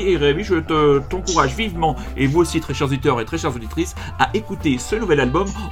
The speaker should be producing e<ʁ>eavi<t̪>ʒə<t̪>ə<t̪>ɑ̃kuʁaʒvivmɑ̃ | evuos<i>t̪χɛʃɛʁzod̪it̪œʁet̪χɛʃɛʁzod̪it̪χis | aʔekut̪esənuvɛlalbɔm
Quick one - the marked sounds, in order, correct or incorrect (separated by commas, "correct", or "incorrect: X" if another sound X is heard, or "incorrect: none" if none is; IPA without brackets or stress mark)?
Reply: correct, incorrect: none, correct, correct, correct